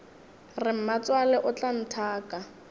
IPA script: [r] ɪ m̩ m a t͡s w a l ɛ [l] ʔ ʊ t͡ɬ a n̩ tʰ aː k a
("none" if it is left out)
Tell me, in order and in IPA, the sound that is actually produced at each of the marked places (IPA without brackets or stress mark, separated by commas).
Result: r, none